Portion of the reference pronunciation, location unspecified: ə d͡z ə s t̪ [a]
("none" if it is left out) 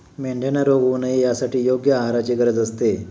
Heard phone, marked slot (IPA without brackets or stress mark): e